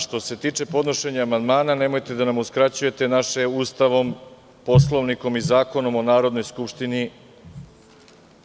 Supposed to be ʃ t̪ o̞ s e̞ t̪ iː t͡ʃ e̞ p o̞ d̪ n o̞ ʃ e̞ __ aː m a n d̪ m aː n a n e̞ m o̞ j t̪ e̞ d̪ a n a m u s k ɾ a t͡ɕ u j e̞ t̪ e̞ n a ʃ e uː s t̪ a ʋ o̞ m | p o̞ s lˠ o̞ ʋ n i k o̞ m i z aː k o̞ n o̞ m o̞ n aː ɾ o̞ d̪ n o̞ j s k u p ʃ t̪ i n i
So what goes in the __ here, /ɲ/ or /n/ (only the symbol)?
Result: ɲ